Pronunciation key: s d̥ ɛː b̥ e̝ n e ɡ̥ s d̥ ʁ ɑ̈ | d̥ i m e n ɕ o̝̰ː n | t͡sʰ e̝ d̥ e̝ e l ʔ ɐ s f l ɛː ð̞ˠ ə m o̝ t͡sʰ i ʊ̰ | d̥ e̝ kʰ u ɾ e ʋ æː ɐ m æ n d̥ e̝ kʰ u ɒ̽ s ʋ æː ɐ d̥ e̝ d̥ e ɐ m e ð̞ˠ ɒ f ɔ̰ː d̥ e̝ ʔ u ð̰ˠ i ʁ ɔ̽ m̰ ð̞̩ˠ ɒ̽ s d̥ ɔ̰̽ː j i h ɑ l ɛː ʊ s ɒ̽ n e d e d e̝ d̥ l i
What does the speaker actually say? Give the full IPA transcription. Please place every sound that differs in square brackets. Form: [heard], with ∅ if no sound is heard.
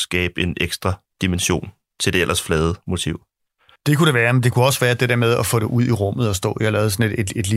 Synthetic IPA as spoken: s [ɡ̥] ɛː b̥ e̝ n e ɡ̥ s d̥ ʁ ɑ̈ | d̥ i m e n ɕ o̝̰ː n | t͡sʰ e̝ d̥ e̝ e l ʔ ɐ s f l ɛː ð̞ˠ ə m o̝ t͡sʰ i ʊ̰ | d̥ e̝ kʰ u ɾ e ʋ æː ɐ m [e] n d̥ e̝ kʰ u ɒ̽ s ʋ æː ɐ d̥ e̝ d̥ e ɐ m e ð̞ˠ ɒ f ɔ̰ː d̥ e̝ ʔ u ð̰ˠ i ʁ ɔ̽ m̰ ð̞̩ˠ ɒ̽ s d̥ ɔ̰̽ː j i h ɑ l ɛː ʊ s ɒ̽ n e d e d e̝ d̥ l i